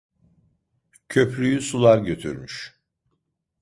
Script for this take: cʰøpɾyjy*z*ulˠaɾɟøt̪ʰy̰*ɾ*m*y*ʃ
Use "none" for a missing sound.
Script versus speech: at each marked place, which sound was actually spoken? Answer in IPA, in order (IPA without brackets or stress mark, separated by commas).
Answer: s, ɾ, y